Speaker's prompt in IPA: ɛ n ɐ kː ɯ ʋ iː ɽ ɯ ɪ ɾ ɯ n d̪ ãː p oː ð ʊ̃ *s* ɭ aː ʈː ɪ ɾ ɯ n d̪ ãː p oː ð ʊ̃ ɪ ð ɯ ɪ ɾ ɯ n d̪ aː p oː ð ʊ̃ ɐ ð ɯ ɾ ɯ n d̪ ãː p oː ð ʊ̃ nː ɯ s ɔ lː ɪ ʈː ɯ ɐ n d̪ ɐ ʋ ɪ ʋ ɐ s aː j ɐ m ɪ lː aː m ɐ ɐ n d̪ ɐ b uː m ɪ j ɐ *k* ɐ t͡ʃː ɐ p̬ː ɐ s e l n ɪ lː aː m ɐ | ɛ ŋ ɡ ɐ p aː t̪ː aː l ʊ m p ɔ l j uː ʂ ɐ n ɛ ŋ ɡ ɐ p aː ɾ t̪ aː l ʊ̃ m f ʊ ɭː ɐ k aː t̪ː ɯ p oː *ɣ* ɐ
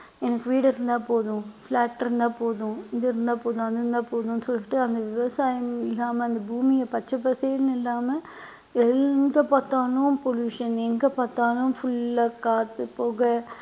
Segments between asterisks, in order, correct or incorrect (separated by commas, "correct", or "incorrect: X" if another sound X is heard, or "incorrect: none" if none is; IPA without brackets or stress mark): incorrect: f, incorrect: p, correct